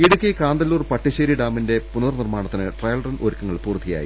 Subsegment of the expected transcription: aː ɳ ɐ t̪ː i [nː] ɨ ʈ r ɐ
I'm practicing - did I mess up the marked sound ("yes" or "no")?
yes